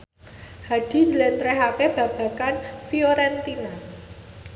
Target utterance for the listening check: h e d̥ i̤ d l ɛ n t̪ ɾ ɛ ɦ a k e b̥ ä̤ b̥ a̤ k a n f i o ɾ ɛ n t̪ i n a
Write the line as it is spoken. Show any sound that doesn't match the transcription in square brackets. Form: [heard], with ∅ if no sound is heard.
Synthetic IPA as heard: h [a] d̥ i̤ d l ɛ n t̪ ɾ ɛ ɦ a k e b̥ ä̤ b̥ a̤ k a n f i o ɾ ɛ n t̪ i n a